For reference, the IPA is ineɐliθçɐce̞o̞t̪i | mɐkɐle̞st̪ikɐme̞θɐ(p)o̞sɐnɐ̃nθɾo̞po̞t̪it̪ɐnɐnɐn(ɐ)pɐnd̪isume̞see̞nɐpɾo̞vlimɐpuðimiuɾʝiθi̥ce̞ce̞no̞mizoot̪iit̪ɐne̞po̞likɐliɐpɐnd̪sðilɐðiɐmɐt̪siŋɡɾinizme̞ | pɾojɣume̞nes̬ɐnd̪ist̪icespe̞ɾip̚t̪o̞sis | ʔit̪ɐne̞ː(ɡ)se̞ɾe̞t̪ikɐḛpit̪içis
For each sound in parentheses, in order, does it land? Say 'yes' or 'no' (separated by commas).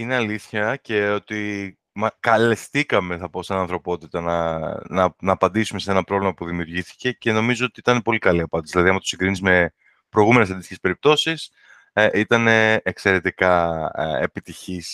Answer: yes, no, no